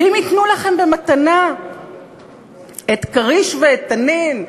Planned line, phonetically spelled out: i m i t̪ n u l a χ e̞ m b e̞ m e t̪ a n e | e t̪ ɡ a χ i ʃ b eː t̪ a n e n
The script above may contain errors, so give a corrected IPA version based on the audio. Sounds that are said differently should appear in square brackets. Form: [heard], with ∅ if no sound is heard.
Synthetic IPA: i m i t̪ n u l a χ e̞ m b e̞ m [a] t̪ a n [a] | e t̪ [k] a [ʁ] i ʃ [v] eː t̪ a n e n

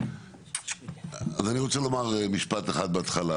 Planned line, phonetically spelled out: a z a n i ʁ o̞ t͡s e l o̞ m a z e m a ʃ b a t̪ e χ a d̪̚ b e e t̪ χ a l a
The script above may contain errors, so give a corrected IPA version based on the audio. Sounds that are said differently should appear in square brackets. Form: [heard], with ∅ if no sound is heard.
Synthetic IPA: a z a n i ʁ o̞ t͡s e l o̞ m a [ʁ] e m [i] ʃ [p] a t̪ e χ a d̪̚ b e [a] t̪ χ a l a

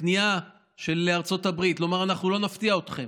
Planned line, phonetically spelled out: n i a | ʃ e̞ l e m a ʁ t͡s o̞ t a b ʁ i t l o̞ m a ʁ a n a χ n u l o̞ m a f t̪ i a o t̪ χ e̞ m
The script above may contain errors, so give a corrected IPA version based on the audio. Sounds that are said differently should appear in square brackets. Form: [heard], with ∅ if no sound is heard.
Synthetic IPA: n i a | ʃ e̞ l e [∅] a ʁ t͡s o̞ t a b ʁ i t l o̞ m a ʁ a n a χ n u l o̞ [n] a f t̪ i a o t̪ χ e̞ m

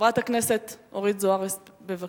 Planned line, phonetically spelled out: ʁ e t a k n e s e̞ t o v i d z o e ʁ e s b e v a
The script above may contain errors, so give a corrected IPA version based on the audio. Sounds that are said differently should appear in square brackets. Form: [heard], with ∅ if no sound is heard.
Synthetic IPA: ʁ [a] t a k n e s e̞ t o [ʁ] i d z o [a] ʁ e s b e v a

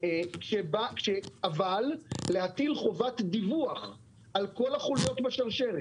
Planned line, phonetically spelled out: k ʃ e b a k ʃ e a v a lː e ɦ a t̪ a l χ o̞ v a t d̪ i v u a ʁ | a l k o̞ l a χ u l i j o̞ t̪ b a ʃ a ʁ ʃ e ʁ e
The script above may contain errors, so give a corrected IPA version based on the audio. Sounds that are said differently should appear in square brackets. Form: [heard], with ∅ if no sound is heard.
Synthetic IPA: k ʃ e b a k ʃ e a v a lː e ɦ a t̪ [i] l χ o̞ v a t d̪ i v u a [χ] | a l k o̞ l a χ u l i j o̞ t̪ b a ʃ a ʁ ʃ e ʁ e

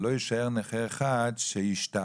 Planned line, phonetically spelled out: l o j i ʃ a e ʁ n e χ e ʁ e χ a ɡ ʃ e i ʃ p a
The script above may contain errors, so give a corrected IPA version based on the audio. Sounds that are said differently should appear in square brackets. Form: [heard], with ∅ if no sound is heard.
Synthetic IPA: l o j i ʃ a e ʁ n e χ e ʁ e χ a [d] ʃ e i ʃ [t] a

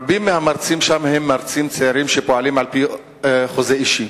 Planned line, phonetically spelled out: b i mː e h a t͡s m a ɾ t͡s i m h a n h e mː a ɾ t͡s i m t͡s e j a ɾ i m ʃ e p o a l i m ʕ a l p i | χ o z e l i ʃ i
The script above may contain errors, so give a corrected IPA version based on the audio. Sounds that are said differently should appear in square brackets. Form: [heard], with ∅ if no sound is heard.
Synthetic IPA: b i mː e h a [∅] m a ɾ t͡s i m [ʃ] a [m] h e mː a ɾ t͡s i m t͡s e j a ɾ i m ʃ e p o a l i m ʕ a l p i | χ o z e [∅] i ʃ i

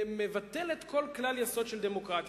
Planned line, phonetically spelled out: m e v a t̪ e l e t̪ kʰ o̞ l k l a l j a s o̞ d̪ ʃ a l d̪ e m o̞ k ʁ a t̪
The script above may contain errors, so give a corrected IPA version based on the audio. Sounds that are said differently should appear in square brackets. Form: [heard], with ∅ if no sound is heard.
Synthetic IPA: m e v a t̪ e l e t̪ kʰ o̞ l k l a l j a s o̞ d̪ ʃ [e] l d̪ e m o̞ k ʁ a t̪

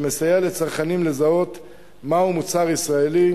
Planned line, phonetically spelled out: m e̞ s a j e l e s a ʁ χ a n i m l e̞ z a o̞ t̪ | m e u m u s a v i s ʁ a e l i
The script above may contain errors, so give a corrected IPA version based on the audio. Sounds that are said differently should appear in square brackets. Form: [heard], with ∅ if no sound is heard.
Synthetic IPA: m e̞ s a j e l e [t͡s] a ʁ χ a n i m l e̞ z a o̞ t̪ | m [a] u m u [t͡s] a [ʁ] i s ʁ a e l i

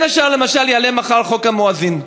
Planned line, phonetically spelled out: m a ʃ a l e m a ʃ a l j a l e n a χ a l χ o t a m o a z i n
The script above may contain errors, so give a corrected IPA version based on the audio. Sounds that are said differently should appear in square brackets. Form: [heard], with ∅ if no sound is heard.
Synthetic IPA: [n] a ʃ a l e m a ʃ a l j a l e [m] a χ a l χ o [k] a m o a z i n

